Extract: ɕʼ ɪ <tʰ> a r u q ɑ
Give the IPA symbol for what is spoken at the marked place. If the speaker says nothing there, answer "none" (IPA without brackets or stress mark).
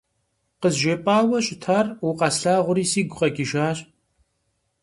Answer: tʰ